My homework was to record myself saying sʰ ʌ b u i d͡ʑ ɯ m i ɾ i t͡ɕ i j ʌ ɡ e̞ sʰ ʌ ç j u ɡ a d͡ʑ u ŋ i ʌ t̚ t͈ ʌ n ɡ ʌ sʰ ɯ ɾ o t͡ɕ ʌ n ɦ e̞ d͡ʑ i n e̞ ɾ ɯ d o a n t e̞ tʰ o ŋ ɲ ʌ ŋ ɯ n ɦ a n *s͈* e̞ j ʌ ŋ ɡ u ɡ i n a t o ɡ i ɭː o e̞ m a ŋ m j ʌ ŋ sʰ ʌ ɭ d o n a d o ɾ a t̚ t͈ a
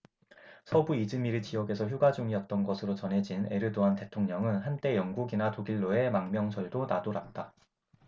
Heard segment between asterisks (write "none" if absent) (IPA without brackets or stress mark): t͈